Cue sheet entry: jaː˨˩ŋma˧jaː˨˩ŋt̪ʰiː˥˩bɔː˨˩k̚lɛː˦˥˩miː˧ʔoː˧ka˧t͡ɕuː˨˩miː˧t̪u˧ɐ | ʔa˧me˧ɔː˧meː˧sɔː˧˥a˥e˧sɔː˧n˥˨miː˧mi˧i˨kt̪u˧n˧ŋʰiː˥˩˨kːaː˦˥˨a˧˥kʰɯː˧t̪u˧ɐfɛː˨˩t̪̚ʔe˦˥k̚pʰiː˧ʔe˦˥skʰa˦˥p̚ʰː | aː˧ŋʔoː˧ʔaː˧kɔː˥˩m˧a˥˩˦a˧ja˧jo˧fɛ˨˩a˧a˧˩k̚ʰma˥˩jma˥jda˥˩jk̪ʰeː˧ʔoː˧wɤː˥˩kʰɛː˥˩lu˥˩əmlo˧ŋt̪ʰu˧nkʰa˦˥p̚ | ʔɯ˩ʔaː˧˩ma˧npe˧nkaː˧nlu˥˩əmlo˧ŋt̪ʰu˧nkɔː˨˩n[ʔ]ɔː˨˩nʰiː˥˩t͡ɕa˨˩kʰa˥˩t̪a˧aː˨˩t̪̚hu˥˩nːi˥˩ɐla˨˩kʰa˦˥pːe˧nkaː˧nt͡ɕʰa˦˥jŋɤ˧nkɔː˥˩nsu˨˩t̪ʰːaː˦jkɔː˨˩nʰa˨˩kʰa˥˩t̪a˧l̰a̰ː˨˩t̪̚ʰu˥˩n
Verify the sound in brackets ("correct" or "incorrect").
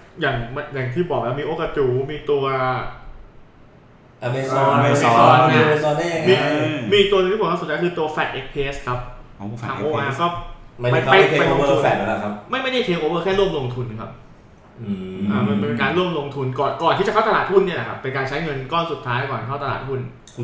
incorrect